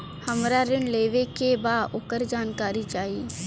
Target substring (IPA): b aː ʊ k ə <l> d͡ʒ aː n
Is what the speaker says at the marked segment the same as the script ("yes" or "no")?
no